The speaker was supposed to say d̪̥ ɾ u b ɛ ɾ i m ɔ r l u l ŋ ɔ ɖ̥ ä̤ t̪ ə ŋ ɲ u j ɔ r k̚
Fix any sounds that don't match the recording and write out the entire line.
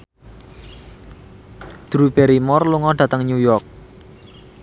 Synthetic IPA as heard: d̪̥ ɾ u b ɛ ɾ i m ɔ r l u ŋ ɔ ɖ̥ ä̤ t̪ ə ŋ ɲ u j ɔ r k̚